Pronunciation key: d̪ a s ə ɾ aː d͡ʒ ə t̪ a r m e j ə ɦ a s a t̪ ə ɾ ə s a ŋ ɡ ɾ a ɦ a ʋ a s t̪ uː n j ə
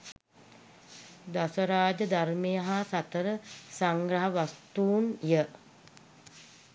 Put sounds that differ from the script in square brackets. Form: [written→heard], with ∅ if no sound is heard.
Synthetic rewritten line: d̪ a s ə ɾ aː d͡ʒ ə [t̪→d̪] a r m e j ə ɦ a s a t̪ ə ɾ ə s a ŋ ɡ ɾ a ɦ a ʋ a s t̪ uː n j ə

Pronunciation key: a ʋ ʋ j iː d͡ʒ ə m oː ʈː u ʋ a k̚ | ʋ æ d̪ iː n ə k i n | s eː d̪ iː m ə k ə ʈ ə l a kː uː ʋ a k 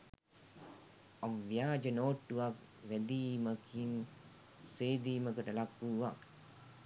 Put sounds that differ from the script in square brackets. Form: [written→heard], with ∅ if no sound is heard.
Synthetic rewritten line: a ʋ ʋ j [iː→aː] d͡ʒ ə [m→n] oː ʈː u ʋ a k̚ | ʋ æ d̪ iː [n→m] ə k i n | s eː d̪ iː m ə k ə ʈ ə l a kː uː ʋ a k

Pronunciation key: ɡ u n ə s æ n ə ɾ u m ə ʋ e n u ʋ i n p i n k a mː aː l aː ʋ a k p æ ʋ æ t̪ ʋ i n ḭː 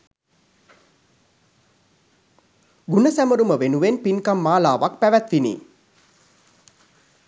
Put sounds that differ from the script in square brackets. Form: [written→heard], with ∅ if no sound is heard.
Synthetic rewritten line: ɡ u n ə s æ [n→m] ə ɾ u m ə ʋ e n u ʋ [i→e] n p i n k a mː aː l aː ʋ a k p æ ʋ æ t̪ ʋ i n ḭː

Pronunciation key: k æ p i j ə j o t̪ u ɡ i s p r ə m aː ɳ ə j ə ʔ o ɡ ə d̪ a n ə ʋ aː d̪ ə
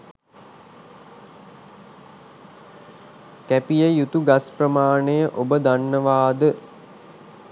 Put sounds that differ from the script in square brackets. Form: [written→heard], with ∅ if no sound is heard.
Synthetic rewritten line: k æ p i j ə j [o→u] t̪ u ɡ [i→a] s p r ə m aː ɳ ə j ə ʔ o [ɡ→b] ə d̪ a [n→nː] ə ʋ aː d̪ ə

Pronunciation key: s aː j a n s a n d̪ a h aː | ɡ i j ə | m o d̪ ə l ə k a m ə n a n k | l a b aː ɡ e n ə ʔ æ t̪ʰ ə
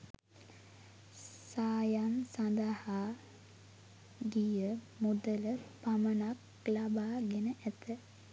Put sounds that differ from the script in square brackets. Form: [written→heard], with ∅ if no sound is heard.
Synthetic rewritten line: s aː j a n s a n d̪ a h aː | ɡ i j ə | m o d̪ ə l ə [k→p] a m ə n a [n→∅] k | l a b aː ɡ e n ə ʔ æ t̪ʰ ə

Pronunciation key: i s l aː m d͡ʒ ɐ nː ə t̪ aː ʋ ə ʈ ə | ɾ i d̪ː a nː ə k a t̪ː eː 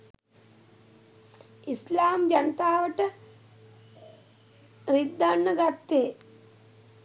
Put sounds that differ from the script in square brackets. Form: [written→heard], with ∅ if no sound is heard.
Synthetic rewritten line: i s l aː m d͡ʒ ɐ [nː→n] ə t̪ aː ʋ ə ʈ ə | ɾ i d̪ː a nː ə [k→ɡ] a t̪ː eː

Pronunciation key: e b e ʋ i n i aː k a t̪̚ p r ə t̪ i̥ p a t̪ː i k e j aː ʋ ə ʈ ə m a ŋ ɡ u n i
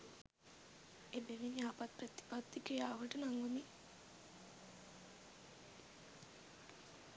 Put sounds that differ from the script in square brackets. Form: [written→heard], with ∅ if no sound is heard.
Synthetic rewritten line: e b e ʋ i n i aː [k→p] a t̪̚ p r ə t̪ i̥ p a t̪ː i k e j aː ʋ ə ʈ ə [m→n] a ŋ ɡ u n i

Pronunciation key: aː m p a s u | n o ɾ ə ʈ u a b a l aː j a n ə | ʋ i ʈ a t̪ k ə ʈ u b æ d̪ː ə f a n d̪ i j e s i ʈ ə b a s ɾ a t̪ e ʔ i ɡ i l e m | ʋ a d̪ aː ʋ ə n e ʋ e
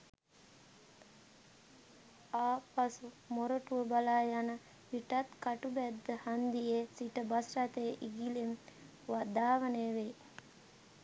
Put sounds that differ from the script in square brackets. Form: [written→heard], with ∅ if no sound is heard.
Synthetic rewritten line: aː [m→∅] p a s u | [n→m] o ɾ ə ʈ u [a→ə] b a l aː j a n ə | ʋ i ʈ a t̪ k [ə→a] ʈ u b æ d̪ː ə [f→h] a n d̪ i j e s i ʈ ə b a s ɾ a t̪ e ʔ i ɡ i l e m | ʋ a d̪ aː ʋ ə n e ʋ e

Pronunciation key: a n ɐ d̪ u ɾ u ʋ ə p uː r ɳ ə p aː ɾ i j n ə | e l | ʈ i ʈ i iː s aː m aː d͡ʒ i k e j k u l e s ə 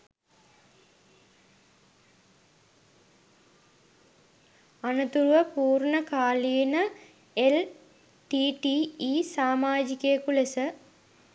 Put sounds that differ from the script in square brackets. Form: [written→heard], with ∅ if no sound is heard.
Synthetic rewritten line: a n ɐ [d̪→t̪] u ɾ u ʋ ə p uː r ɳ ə [p→k] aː [ɾ→l] i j n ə | e l | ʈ i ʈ i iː s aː m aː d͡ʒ i k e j k u l e s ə

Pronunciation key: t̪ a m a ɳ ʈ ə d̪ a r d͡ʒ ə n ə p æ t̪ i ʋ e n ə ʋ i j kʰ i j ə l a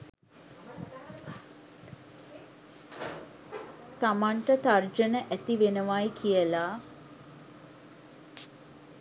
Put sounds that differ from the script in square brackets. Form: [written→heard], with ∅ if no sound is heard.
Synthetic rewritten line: t̪ a m a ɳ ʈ ə [d̪→t̪] a r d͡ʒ ə n ə [p→ʔ] æ t̪ i ʋ e n ə ʋ [i→a] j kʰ i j ə l a

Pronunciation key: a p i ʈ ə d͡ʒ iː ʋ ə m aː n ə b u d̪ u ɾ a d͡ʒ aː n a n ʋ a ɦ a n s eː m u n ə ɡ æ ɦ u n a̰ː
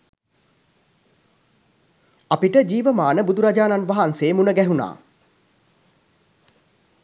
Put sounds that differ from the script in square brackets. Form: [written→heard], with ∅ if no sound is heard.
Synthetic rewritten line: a p i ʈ ə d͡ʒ iː ʋ ə m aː n ə b u d̪ u ɾ a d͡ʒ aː n a n ʋ a ɦ a n s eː m u n ə ɡ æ ɦ u n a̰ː

